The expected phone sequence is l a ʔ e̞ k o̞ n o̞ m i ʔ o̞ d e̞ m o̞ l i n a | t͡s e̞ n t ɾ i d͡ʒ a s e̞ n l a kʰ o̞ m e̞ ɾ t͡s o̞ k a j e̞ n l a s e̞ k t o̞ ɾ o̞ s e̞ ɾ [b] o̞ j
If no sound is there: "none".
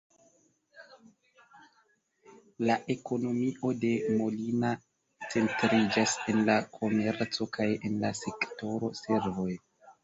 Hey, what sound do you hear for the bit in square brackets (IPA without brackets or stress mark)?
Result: v